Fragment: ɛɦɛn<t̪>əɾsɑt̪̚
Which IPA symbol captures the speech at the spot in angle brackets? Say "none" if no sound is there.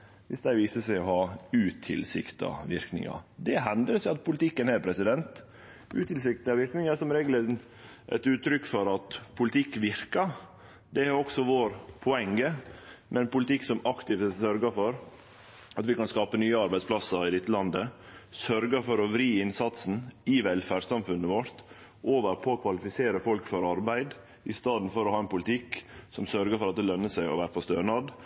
d̪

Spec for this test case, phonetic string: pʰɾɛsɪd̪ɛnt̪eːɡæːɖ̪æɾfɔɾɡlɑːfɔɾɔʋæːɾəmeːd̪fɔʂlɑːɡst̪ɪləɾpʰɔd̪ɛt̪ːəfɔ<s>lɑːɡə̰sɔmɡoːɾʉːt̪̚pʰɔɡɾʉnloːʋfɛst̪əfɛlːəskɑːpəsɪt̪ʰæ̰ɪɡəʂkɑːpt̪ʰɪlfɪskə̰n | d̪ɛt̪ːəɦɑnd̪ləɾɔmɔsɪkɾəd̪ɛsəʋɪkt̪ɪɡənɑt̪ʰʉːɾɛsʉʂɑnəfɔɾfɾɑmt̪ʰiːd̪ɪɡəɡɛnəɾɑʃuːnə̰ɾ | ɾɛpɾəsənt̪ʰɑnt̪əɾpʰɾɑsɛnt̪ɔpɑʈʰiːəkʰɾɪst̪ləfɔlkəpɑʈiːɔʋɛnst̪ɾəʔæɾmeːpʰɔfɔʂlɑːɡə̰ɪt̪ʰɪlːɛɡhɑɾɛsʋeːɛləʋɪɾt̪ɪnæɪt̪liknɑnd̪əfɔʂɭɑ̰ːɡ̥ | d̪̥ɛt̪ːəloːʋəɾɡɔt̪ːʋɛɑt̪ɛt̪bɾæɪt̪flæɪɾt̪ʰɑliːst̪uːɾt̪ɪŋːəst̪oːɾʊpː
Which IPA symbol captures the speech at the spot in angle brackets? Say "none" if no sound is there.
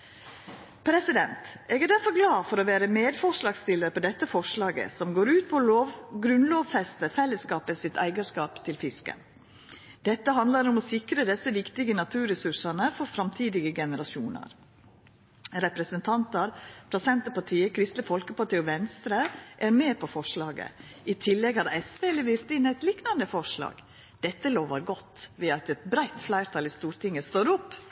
ʂ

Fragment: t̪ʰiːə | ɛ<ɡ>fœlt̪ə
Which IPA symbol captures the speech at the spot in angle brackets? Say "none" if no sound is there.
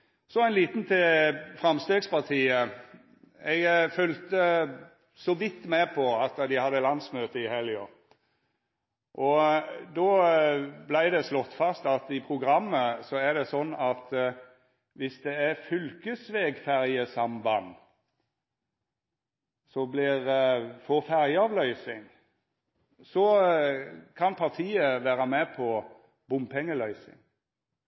ɡ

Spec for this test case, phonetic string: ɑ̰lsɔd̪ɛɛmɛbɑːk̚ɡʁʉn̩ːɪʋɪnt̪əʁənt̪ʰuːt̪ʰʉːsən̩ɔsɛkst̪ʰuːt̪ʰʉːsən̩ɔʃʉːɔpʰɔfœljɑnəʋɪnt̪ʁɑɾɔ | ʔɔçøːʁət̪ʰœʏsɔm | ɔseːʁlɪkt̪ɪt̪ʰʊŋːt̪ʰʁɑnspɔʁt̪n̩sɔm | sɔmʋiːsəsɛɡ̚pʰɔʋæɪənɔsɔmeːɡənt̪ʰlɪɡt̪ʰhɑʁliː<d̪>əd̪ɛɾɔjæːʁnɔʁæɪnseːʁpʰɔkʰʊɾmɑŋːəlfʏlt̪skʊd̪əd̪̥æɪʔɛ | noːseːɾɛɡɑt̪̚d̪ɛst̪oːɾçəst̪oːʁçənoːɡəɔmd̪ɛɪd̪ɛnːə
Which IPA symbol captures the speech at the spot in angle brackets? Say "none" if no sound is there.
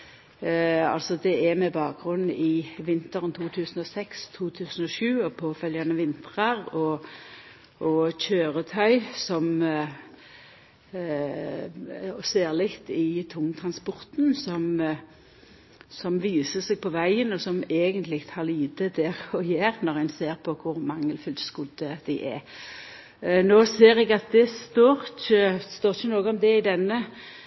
d̪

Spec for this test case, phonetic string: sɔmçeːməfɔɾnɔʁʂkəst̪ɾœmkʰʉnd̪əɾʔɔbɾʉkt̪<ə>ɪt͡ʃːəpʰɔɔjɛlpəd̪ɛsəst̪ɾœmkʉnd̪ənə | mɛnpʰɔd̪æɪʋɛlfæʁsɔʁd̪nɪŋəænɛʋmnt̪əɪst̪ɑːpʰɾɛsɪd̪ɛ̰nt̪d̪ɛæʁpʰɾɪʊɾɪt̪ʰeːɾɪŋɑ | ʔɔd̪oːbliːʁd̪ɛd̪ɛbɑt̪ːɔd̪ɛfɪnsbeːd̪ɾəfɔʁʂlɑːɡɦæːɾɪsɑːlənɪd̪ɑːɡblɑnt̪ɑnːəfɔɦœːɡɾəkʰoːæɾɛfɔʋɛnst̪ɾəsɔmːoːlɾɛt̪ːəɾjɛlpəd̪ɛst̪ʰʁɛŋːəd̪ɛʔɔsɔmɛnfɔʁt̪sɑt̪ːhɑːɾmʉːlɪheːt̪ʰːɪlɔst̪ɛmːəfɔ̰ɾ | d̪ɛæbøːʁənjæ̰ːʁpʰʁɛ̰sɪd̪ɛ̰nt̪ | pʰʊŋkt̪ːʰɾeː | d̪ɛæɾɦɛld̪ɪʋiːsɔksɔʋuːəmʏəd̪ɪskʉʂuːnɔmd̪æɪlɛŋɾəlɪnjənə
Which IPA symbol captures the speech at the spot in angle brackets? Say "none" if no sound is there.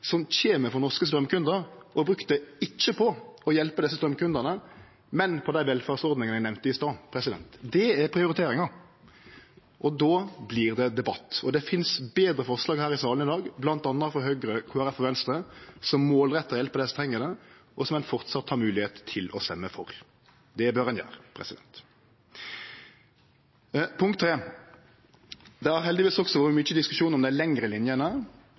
ə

